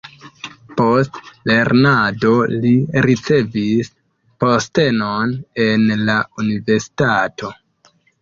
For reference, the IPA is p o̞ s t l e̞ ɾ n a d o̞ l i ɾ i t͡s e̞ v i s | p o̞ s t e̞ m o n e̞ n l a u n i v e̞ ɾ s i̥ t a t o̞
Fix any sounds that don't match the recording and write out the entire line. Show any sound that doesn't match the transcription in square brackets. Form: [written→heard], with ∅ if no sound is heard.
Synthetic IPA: p o̞ s t l e̞ ɾ n a d o̞ l i ɾ i t͡s e̞ v i s | p o̞ s t e̞ [m→n] o n e̞ n l a u n i v e̞ ɾ s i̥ t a t o̞